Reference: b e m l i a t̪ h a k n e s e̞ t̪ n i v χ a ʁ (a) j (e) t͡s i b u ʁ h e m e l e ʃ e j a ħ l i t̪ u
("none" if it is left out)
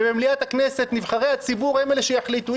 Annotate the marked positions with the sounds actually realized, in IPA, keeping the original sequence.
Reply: e, a

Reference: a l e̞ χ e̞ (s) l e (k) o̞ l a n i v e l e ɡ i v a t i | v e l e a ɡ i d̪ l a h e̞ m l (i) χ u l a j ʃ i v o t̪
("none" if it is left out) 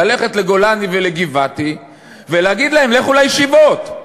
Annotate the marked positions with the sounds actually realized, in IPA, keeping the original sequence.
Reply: t, ɡ, e

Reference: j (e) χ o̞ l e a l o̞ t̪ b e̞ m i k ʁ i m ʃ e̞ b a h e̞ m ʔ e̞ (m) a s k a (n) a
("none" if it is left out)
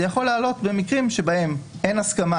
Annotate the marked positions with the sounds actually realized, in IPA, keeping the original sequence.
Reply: a, n, m

